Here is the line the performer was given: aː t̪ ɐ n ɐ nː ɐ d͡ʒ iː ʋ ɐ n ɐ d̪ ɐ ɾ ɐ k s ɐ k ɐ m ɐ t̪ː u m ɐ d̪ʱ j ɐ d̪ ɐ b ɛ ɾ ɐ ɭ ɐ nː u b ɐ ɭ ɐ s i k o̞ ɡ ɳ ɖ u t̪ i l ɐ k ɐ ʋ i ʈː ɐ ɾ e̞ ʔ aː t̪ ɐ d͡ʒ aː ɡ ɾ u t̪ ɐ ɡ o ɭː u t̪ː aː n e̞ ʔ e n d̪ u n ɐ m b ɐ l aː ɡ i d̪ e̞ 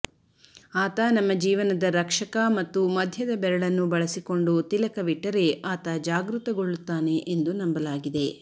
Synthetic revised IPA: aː t̪ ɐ n ɐ mː ɐ d͡ʒ iː ʋ ɐ n ɐ d̪ ɐ ɾ ɐ k ʂ ɐ k ɐ m ɐ t̪ː u m ɐ d̪ʱ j ɐ d̪ ɐ b ɛ ɾ ɐ ɭ ɐ nː u b ɐ ɭ ɐ s i k o̞ ɳ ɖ u t̪ i l ɐ k ɐ ʋ i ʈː ɐ ɾ e̞ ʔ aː t̪ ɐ d͡ʒ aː ɡ ɾ u t̪ ɐ ɡ o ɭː u t̪ː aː n e̞ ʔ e n d̪ u n ɐ m b ɐ l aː ɡ i d̪ e̞